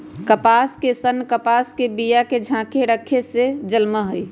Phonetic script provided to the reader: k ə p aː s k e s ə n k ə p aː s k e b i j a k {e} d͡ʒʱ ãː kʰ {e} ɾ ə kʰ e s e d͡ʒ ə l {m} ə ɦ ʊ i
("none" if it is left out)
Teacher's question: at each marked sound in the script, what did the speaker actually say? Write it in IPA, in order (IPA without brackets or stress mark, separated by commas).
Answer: e, e, m